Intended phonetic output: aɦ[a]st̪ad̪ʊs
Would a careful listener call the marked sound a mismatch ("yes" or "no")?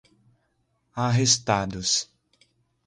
yes